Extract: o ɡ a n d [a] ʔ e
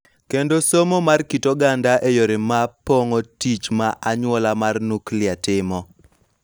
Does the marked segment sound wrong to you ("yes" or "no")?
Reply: no